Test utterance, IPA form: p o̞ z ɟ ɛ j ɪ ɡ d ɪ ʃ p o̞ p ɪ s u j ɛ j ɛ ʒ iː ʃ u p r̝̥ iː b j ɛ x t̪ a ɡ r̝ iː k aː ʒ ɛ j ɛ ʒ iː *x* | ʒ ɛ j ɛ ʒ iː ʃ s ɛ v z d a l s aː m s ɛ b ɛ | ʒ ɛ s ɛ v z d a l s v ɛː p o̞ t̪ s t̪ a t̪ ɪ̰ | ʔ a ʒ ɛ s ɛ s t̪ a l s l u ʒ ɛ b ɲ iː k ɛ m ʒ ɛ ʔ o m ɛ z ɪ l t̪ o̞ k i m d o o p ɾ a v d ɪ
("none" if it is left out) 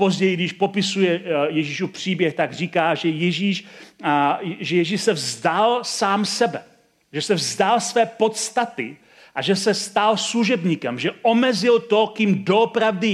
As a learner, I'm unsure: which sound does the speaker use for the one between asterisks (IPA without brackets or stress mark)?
ʃ